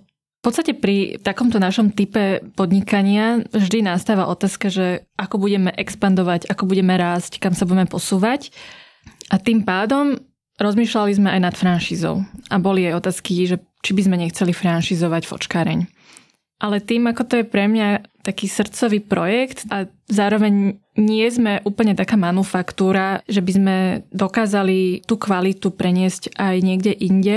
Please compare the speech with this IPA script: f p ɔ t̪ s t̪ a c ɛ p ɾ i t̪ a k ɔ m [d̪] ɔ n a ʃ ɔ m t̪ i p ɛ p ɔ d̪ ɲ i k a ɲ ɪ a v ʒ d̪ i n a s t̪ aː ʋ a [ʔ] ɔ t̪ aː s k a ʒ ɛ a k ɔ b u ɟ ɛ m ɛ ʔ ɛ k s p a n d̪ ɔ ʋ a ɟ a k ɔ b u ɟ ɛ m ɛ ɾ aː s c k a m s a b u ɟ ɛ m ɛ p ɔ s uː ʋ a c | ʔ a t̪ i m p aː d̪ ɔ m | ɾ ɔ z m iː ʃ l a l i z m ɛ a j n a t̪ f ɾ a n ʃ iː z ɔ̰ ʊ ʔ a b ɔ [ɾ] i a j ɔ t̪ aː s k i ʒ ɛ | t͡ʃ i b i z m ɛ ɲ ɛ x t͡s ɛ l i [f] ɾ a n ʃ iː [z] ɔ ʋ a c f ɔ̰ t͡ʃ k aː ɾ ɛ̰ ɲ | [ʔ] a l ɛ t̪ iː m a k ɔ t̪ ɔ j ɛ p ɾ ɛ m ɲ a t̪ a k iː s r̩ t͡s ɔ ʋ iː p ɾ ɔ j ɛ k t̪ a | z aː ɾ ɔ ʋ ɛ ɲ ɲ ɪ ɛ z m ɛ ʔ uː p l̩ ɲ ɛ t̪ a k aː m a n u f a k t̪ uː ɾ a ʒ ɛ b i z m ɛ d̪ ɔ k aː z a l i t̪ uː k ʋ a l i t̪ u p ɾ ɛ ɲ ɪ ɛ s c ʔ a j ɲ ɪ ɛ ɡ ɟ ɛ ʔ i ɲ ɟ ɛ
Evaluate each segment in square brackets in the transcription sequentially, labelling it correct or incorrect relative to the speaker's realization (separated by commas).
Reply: incorrect, correct, incorrect, correct, correct, correct